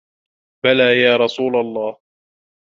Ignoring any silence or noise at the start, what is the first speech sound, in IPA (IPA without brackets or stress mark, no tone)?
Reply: b